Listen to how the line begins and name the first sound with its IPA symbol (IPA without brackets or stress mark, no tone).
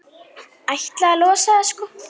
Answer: a